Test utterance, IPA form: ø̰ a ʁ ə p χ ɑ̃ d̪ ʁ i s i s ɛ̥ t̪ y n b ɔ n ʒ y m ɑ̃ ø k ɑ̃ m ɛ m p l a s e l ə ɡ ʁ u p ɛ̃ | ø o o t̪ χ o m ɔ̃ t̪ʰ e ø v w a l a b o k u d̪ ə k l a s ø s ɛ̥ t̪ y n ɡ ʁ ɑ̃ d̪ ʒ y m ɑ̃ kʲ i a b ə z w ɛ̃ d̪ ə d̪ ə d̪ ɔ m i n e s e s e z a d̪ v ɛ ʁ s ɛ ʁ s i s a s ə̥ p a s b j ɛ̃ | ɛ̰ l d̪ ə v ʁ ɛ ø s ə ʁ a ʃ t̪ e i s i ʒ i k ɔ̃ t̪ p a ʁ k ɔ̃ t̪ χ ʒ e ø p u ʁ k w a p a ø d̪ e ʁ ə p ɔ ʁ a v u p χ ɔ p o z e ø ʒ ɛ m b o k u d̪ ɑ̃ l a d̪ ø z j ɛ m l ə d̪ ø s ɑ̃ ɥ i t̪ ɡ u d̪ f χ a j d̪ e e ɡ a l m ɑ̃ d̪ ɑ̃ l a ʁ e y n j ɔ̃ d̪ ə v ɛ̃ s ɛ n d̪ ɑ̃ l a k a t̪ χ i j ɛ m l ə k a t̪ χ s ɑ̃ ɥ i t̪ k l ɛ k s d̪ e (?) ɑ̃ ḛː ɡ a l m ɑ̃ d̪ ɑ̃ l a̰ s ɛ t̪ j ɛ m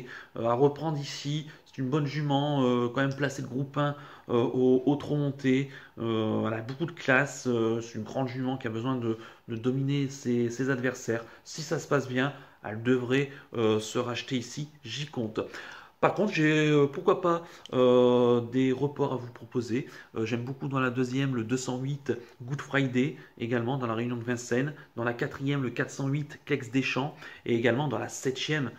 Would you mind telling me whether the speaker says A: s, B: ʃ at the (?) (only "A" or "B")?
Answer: B